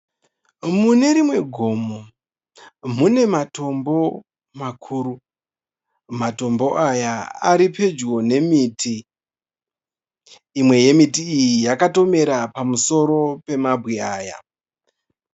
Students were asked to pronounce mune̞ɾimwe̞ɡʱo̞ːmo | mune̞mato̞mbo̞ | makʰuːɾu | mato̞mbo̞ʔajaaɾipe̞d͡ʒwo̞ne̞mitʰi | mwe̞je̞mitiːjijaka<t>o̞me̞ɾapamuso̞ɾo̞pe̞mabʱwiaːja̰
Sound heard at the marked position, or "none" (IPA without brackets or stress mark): t